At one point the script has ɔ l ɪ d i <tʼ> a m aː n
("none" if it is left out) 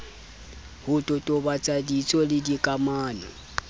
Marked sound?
kʼ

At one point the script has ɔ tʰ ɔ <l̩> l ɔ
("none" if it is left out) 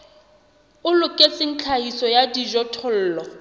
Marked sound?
l̩ː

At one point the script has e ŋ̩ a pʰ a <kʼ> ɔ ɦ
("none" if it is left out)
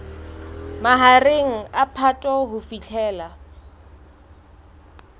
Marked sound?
tʼ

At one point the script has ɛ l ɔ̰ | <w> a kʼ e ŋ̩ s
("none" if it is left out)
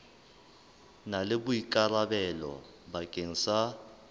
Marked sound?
b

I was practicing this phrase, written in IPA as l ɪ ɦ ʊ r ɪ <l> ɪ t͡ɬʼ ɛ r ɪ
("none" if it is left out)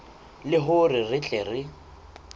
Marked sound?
r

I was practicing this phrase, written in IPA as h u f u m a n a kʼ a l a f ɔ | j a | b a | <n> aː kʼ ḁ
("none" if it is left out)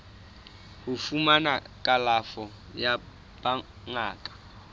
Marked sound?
ŋ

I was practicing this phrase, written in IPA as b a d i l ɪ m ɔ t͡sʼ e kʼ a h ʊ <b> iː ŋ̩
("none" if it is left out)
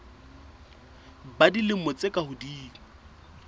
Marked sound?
d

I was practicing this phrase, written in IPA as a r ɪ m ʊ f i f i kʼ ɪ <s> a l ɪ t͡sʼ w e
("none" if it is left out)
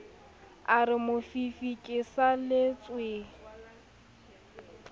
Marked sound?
s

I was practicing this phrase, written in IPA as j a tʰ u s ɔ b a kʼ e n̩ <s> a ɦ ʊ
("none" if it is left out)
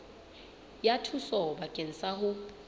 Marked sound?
s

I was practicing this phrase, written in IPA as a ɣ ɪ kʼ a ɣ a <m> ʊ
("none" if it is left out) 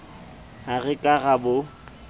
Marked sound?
b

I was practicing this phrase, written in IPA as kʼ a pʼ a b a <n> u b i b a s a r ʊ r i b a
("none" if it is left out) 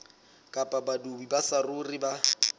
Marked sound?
d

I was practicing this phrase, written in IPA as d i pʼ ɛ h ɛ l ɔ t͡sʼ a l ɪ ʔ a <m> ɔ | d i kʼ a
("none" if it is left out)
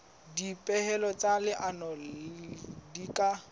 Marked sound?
n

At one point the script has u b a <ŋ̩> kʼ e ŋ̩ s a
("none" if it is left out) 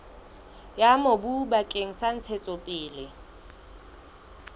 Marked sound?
none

